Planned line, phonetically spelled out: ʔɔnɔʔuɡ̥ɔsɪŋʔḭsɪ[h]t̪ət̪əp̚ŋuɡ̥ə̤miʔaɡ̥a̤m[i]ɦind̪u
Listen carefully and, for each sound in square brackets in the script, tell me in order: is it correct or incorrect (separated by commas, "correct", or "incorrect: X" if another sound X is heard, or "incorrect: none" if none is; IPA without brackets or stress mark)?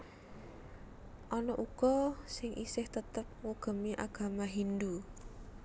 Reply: correct, incorrect: a